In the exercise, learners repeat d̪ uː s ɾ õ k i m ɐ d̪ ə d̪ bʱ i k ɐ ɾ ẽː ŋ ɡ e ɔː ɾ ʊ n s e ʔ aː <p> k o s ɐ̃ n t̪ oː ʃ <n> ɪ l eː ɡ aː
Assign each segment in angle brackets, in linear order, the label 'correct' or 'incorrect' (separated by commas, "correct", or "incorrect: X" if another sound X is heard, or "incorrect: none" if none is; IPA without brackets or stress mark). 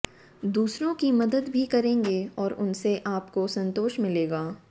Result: correct, incorrect: m